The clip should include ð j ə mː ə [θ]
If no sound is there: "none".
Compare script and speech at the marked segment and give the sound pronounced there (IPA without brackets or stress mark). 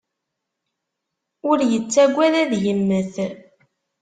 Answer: θ